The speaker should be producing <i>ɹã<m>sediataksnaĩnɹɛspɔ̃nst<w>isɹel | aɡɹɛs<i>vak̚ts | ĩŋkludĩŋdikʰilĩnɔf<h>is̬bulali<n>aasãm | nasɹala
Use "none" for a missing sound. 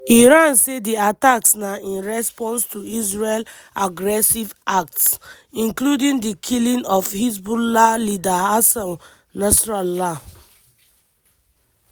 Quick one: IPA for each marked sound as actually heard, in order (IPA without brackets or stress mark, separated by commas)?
i, n, u, i, h, d